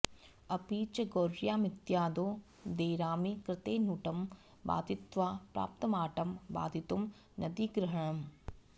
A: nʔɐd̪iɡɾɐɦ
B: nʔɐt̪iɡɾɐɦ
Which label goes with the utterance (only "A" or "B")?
A